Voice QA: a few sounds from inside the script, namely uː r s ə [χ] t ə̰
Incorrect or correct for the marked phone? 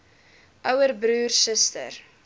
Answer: incorrect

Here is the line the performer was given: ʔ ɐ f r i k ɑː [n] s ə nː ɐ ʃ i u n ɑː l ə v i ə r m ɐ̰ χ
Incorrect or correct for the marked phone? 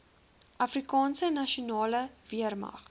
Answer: correct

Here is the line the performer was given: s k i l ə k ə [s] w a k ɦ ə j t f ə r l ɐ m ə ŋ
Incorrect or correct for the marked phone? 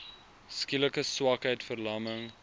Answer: correct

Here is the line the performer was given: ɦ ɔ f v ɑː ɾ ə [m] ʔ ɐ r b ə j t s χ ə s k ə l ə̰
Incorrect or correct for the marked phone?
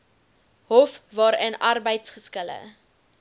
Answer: incorrect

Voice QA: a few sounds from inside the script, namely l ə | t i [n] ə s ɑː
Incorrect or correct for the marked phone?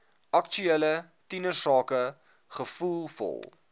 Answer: correct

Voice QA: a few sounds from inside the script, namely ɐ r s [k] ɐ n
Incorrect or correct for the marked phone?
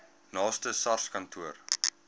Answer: correct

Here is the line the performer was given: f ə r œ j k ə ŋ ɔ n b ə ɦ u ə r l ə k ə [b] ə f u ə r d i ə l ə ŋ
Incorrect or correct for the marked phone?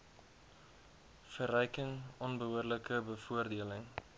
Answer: correct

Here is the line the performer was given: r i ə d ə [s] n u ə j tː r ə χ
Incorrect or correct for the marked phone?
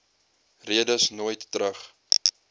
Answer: correct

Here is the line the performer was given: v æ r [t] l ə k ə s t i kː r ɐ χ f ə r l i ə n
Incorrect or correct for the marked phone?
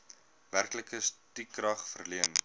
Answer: incorrect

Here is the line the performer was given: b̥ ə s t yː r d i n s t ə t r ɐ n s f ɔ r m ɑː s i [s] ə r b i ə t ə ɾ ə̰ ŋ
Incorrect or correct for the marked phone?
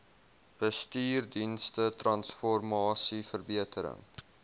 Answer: incorrect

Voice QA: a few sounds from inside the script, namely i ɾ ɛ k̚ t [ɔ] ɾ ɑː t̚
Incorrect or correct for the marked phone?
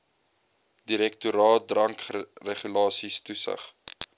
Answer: incorrect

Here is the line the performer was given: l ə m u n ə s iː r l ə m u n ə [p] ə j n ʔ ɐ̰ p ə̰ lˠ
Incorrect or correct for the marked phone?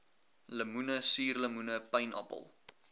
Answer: correct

